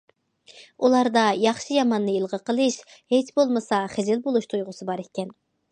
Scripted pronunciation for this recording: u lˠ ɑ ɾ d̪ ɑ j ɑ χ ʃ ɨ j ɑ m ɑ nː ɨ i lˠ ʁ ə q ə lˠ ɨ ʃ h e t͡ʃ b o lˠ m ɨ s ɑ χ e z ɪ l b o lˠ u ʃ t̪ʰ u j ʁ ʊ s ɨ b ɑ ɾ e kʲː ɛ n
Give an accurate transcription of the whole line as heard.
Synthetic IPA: u lˠ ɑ ɾ d̪ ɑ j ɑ χ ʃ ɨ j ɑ m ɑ nː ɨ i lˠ ʁ ə q ə lˠ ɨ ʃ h e t͡ʃ b o lˠ m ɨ s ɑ χ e z ɪ l b o lˠ u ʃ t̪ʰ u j ʁ ʊ s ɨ b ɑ ɾ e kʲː ɛ n